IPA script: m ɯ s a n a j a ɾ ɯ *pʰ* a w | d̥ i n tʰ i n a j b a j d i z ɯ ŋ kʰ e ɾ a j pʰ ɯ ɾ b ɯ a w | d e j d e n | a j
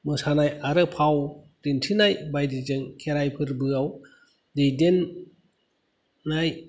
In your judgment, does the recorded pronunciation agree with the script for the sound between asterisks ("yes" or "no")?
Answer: yes